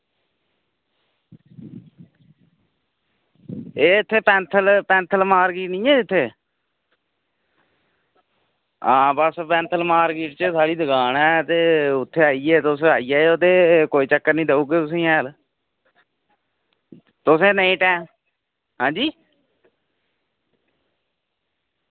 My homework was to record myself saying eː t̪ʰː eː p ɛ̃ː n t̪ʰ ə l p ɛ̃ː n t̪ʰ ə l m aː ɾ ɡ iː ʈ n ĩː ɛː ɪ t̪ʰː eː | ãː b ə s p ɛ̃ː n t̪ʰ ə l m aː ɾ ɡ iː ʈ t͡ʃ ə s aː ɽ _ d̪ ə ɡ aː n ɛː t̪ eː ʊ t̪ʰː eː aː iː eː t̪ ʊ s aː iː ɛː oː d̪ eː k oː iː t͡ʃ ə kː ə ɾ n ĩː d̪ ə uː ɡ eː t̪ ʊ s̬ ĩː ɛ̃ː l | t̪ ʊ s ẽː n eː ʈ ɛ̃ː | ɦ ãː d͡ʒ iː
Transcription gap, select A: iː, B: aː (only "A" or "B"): A